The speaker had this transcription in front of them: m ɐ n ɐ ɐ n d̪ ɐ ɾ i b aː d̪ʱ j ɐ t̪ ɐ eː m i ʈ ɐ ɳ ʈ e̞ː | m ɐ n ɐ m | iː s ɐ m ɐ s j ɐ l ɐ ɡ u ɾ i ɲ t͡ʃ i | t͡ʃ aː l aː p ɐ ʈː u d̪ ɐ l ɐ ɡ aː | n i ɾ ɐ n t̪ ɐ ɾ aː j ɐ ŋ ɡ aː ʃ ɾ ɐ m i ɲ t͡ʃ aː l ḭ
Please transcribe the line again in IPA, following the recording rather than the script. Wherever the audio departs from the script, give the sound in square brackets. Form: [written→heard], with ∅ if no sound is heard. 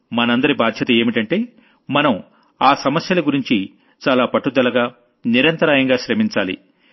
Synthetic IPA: m ɐ n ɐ ɐ n d̪ ɐ ɾ i b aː d̪ʱ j ɐ t̪ ɐ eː m i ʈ ɐ ɳ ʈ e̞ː | m ɐ n ɐ m | [iː→aː] s ɐ m ɐ s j ɐ l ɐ ɡ u ɾ i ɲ t͡ʃ i | t͡ʃ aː l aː p ɐ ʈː u d̪ ɐ l ɐ ɡ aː | n i ɾ ɐ n t̪ ɐ ɾ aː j ɐ ŋ ɡ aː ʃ ɾ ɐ m i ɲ t͡ʃ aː l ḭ

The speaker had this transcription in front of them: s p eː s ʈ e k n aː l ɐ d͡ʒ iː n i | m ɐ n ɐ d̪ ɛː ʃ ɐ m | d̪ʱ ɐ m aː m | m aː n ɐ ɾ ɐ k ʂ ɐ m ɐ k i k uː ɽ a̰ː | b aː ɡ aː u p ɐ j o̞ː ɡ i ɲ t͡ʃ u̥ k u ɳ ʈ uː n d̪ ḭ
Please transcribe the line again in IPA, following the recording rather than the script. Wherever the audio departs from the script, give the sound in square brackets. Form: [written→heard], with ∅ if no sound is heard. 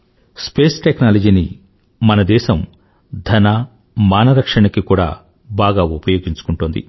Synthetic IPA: s p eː s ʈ e k n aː l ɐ d͡ʒ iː n i | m ɐ n ɐ d̪ ɛː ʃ ɐ m | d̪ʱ ɐ [m→n] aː [m→∅] | m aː n ɐ ɾ ɐ k ʂ ɐ [m→ɳ] ɐ k i k uː ɽ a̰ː | b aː ɡ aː u p ɐ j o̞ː ɡ i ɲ t͡ʃ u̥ k u ɳ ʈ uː n d̪ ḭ

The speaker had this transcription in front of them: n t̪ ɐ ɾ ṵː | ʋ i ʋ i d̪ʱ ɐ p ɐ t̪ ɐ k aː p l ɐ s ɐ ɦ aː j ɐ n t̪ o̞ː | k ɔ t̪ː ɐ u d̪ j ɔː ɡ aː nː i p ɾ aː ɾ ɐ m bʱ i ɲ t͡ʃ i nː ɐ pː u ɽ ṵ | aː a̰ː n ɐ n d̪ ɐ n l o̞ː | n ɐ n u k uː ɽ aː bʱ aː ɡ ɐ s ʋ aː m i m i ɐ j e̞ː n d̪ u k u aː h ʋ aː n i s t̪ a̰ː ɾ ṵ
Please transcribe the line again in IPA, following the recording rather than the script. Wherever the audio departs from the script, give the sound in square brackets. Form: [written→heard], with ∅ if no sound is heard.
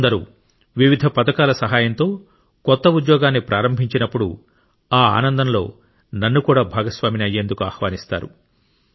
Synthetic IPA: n [t̪→d̪] ɐ ɾ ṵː | ʋ i ʋ i d̪ʱ ɐ p ɐ t̪ ɐ k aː [p→∅] l ɐ s ɐ ɦ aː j ɐ n t̪ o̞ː | k ɔ t̪ː ɐ u d̪ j ɔː ɡ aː nː i p ɾ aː ɾ ɐ m bʱ i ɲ t͡ʃ i [nː→n] ɐ pː u ɽ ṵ | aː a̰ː n ɐ n d̪ ɐ n l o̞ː | n ɐ [n→nː] u k uː ɽ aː bʱ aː ɡ ɐ s ʋ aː m i [m→n] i ɐ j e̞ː n d̪ u k u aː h ʋ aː n i s t̪ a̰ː ɾ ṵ

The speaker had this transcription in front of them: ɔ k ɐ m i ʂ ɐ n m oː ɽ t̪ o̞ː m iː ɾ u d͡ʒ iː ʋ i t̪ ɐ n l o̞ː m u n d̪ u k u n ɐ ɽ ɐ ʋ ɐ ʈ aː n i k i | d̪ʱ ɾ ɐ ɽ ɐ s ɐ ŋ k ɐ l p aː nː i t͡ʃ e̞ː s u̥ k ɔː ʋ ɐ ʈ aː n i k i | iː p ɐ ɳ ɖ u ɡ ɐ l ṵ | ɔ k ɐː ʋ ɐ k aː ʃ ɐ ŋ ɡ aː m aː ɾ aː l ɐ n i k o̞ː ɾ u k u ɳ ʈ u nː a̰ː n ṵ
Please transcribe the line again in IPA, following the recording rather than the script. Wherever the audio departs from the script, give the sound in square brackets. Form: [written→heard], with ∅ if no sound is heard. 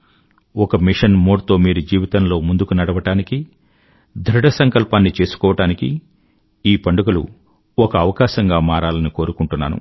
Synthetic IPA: ɔ k ɐ m i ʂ ɐ n m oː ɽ t̪ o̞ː m iː ɾ u d͡ʒ iː ʋ i t̪ ɐ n l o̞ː m u n d̪ u k u n ɐ ɽ ɐ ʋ ɐ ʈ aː n i k i | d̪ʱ ɾ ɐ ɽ ɐ s ɐ ŋ k ɐ l p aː nː i t͡ʃ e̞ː s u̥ k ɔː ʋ ɐ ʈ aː n i k i | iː p ɐ ɳ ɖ u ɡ ɐ l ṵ | ɔ k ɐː ʋ ɐ k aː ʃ ɐ ŋ ɡ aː m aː ɾ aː l ɐ n i k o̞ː ɾ u k u ɳ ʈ u nː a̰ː n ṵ

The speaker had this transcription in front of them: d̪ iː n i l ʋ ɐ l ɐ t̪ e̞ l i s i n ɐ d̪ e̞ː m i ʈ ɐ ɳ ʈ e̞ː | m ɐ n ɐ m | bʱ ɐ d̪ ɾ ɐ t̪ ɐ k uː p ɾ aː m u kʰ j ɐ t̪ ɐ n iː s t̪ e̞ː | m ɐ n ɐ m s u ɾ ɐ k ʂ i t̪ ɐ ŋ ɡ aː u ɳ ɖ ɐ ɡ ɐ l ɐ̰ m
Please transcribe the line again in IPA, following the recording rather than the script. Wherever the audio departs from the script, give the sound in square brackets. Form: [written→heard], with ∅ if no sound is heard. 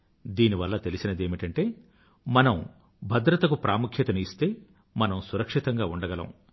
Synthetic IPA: d̪ iː n i [l→∅] ʋ ɐ [l→lː] ɐ t̪ e̞ l i s i n ɐ d̪ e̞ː m i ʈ ɐ ɳ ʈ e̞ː | m ɐ n ɐ m | bʱ ɐ d̪ ɾ ɐ t̪ ɐ k [uː→u] p ɾ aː m u kʰ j ɐ t̪ ɐ n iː s t̪ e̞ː | m ɐ n ɐ m s u ɾ ɐ k ʂ i t̪ ɐ ŋ ɡ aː u ɳ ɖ ɐ ɡ ɐ l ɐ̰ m

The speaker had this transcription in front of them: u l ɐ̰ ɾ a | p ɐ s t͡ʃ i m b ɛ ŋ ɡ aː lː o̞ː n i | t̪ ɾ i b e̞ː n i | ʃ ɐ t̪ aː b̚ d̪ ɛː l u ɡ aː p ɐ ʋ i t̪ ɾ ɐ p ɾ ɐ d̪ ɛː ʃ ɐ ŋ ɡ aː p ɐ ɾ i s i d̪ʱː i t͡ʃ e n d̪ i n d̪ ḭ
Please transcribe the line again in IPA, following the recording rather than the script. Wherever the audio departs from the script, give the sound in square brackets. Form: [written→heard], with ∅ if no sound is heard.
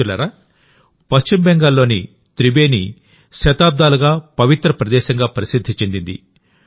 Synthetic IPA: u l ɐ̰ ɾ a | p ɐ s t͡ʃ i m b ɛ ŋ ɡ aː lː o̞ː n i | t̪ ɾ i b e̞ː n i | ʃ ɐ t̪ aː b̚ d̪ [ɛː→aː] l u ɡ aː p ɐ ʋ i t̪ ɾ ɐ p ɾ ɐ d̪ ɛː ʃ ɐ ŋ ɡ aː p ɐ ɾ i s i d̪ʱː i t͡ʃ e n d̪ i n d̪ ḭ

